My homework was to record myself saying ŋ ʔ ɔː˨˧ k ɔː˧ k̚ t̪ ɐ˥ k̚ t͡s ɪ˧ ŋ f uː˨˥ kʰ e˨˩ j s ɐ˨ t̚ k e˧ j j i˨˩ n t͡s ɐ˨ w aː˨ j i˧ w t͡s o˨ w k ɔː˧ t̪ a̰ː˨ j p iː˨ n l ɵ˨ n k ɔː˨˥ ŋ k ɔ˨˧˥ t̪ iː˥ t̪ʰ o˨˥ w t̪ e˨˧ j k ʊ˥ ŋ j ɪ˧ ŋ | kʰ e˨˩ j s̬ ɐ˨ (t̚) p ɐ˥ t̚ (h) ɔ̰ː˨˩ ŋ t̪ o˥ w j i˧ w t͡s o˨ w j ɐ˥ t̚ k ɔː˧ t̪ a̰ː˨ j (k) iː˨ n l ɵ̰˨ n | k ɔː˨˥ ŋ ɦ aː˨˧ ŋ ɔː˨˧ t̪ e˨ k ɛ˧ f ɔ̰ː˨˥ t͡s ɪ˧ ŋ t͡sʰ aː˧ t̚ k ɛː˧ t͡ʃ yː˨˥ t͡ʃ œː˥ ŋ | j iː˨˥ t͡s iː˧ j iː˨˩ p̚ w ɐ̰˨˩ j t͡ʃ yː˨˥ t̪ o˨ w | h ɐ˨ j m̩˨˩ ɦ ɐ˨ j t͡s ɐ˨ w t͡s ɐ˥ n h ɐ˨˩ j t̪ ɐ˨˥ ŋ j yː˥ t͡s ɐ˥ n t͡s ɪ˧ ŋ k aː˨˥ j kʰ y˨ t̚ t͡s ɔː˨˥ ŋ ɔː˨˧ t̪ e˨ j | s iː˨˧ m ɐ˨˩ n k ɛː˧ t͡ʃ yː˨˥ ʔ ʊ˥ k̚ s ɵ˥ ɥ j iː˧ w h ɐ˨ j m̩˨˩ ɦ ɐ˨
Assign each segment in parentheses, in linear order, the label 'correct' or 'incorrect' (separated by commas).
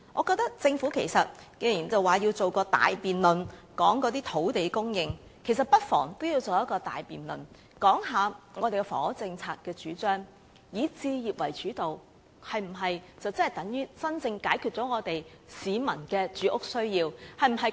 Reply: correct, incorrect, incorrect